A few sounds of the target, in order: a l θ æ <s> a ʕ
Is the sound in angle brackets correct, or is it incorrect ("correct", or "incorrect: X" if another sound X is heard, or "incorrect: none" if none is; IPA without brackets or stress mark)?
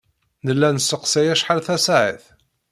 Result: correct